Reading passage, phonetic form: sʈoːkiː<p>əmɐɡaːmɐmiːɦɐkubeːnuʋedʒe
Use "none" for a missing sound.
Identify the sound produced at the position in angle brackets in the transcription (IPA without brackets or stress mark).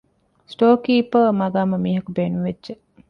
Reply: p